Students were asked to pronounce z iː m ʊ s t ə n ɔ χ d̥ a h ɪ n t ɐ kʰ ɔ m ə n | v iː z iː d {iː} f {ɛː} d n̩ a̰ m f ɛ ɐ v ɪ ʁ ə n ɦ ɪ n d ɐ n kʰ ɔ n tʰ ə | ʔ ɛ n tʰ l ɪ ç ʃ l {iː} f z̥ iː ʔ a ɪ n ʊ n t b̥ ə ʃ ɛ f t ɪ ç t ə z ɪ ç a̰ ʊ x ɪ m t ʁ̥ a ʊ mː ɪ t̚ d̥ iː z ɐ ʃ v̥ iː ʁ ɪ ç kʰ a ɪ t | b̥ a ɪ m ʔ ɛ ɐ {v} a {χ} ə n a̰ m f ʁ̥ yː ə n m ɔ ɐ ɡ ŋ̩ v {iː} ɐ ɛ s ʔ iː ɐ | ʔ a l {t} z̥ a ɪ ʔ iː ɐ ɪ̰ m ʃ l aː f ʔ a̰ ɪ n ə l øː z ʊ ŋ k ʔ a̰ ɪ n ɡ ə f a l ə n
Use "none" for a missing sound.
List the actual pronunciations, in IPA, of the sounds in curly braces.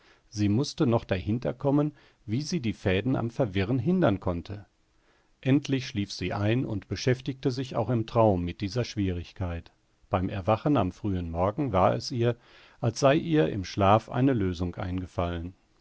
iː, ɛː, iː, v, χ, aː, s

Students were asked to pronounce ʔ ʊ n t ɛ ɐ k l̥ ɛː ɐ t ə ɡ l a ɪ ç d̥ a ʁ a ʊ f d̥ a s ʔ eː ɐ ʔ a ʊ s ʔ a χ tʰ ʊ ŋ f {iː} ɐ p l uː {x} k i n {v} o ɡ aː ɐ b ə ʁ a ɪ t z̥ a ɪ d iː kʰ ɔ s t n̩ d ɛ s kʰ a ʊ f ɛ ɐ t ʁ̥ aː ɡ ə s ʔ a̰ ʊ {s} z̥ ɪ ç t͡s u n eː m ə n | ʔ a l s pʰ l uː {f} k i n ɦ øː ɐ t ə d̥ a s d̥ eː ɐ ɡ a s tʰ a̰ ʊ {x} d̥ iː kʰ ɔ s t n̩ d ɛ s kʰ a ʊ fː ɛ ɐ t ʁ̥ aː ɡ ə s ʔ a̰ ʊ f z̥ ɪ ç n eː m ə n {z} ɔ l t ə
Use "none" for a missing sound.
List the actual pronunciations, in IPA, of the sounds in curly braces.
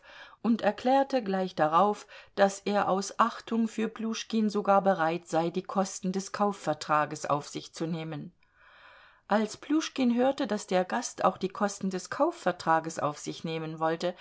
yː, ʃ, z, f, ʃ, x, v

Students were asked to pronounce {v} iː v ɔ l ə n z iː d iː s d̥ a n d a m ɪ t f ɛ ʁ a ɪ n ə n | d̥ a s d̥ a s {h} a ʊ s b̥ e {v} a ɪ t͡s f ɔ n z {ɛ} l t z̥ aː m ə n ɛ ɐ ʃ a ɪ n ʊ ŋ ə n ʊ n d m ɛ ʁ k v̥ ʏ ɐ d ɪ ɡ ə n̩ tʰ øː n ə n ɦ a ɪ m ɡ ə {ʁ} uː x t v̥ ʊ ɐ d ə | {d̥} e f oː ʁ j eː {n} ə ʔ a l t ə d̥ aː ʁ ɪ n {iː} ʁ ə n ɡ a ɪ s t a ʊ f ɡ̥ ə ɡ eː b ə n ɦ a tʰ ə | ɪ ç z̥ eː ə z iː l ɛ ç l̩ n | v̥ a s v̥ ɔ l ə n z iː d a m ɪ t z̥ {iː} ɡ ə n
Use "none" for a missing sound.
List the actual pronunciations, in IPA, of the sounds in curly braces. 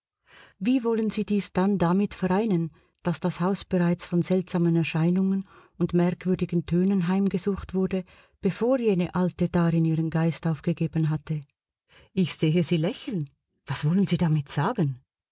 v, h, ʁ, ɛ, z, b̥, n, iː, aː

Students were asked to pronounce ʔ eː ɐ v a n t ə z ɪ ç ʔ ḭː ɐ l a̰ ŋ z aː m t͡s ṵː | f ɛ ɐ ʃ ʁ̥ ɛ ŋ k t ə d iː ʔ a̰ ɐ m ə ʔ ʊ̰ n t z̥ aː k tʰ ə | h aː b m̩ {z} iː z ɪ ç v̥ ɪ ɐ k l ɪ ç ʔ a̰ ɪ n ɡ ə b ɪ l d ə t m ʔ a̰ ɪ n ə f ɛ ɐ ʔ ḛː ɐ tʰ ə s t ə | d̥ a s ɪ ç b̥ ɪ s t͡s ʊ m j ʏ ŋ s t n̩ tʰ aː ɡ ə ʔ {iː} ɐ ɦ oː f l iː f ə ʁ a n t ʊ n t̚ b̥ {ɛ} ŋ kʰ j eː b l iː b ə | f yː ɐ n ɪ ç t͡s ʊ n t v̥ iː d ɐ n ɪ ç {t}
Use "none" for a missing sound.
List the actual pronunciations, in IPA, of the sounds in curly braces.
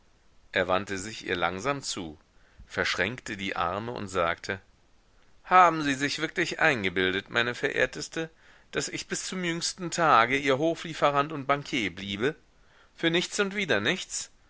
z, iː, a, t͡s

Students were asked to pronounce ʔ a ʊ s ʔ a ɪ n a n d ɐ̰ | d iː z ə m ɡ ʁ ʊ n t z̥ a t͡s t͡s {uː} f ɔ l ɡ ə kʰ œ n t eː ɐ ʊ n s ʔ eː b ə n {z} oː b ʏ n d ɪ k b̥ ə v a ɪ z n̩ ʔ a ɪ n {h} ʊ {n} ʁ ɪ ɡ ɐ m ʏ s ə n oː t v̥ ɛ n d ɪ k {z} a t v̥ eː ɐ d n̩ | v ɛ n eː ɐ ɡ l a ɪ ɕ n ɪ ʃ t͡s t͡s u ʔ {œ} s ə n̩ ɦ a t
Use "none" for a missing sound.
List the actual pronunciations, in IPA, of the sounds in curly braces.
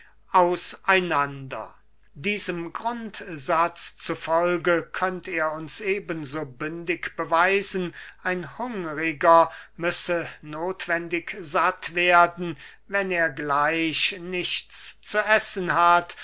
u, z, h, ŋ, z, ɛ

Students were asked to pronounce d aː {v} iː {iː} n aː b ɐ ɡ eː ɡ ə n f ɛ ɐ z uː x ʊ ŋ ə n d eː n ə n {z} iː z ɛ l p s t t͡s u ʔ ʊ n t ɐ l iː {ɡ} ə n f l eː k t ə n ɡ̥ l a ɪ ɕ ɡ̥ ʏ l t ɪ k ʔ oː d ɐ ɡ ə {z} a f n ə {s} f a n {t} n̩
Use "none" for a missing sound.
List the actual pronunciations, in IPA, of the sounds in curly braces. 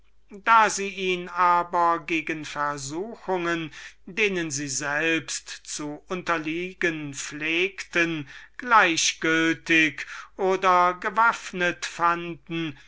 z, iː, z, ɡ, v, t, d

